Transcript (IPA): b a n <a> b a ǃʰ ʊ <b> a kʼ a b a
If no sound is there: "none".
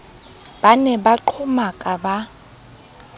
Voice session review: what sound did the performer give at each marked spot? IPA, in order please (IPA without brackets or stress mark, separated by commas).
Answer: ɛ, m